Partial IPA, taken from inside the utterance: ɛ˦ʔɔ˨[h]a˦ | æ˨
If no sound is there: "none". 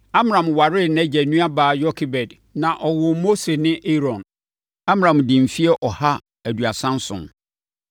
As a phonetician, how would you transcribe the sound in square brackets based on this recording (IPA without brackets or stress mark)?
h